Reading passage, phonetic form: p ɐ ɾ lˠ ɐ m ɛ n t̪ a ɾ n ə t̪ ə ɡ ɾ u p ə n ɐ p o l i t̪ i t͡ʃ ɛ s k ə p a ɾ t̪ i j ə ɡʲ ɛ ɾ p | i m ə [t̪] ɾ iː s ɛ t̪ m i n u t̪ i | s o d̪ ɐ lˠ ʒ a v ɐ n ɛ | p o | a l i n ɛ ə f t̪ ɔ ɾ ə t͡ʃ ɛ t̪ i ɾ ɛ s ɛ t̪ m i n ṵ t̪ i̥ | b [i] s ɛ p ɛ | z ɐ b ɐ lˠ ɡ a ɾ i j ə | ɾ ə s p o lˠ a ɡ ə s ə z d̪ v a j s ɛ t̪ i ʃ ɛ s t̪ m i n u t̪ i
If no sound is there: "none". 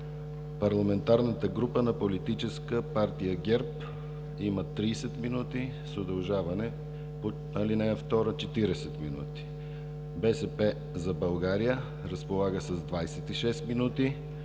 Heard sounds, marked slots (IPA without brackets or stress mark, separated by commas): t̪, ɛ